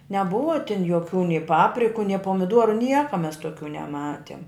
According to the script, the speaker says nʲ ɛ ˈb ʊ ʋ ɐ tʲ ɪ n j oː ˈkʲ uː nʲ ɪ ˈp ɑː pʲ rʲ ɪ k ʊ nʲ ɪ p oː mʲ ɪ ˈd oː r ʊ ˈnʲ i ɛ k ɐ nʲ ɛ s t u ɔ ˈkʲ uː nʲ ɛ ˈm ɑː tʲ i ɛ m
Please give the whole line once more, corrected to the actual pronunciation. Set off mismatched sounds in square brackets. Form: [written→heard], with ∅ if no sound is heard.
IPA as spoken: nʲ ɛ ˈb ʊ ʋ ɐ tʲ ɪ n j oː ˈkʲ uː nʲ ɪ ˈp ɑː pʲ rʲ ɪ k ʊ nʲ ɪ p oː mʲ ɪ ˈd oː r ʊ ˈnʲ i ɛ k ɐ [nʲ→mʲ] ɛ s t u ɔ ˈkʲ uː nʲ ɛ ˈm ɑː tʲ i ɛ m